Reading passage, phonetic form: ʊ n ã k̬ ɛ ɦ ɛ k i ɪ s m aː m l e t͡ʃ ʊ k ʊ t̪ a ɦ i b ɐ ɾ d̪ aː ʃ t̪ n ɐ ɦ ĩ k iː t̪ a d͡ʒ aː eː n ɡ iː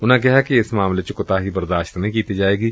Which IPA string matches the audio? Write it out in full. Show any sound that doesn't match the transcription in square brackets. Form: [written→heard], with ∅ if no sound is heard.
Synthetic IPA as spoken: ʊ n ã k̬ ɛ ɦ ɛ k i ɪ s m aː m l e t͡ʃ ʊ k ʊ t̪ a ɦ i b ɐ ɾ d̪ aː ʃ t̪ n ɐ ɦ ĩ k iː t̪ [a→i] d͡ʒ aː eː [n→∅] ɡ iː